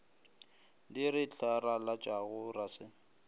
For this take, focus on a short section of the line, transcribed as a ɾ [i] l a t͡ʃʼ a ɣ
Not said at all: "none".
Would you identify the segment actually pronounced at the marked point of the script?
a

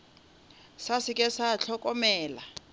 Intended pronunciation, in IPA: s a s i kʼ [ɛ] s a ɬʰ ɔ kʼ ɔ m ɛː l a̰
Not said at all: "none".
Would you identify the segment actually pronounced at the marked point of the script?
ɛ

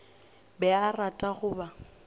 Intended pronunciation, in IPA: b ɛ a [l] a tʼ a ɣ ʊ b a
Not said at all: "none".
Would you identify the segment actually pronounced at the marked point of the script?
r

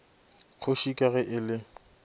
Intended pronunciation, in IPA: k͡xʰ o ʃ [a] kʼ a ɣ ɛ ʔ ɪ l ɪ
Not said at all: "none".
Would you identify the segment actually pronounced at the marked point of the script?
i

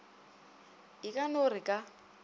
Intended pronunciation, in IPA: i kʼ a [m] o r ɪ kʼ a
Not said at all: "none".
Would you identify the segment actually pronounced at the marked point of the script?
n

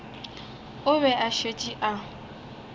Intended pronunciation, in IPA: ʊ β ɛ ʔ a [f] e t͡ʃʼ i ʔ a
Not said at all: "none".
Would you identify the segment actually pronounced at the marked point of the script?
ʃ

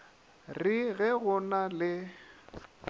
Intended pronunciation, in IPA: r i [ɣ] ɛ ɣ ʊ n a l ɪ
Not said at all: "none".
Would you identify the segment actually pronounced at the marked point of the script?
ɣ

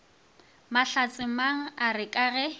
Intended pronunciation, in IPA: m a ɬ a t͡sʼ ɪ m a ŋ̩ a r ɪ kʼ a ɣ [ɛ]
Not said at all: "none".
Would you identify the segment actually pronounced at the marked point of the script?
ɛ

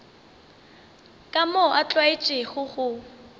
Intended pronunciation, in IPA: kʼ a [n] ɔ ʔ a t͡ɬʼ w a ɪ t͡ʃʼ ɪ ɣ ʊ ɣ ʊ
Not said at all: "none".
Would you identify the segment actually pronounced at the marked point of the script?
m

